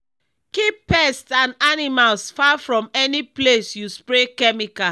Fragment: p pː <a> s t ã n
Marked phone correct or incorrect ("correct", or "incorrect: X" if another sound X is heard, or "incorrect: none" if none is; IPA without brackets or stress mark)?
incorrect: ɛ